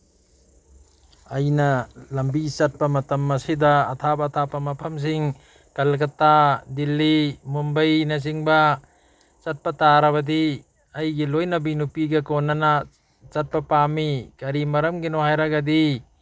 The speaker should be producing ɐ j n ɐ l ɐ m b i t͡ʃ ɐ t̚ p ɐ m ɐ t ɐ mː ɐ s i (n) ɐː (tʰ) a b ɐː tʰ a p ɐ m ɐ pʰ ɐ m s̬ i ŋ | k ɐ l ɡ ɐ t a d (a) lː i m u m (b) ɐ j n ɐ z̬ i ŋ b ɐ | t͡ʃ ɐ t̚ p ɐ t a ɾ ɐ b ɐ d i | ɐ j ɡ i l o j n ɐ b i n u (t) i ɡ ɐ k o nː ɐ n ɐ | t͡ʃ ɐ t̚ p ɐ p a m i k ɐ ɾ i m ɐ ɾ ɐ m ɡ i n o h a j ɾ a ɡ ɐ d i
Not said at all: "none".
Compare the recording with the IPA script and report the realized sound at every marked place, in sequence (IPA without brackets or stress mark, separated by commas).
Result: d, tʰ, i, b, p